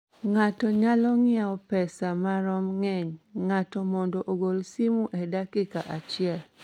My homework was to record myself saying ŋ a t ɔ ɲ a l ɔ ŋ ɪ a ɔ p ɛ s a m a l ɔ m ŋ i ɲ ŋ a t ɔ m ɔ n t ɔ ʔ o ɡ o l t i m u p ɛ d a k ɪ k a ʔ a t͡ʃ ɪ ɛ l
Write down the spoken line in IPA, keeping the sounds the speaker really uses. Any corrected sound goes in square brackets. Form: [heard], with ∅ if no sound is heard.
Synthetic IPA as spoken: ŋ a t ɔ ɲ a l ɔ ŋ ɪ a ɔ p ɛ s a m a [ɾ] ɔ m ŋ [ɛ] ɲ ŋ a t ɔ m ɔ n [d] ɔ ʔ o ɡ o l [s] i m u [ʔ] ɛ d a k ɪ k a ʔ a t͡ʃ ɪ ɛ l